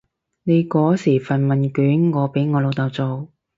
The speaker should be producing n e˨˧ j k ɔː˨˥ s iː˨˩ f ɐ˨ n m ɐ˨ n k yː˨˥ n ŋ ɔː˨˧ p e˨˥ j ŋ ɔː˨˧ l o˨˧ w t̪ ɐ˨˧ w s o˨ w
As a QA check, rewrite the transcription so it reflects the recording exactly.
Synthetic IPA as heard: n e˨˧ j k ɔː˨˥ s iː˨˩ f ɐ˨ n m ɐ˨ n k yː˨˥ n ŋ ɔː˨˧ p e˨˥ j ŋ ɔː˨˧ l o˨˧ w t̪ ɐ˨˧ w t͡s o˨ w